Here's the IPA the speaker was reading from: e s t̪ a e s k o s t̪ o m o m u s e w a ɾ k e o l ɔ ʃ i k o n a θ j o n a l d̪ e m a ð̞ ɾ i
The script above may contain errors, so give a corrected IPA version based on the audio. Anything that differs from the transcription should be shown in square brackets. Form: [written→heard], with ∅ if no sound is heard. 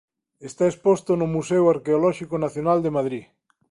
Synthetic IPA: e s t̪ a e s [k→p] o s t̪ o [m→n] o m u s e w a ɾ k e o l ɔ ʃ i k o n a θ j o n a l d̪ e m a ð̞ ɾ i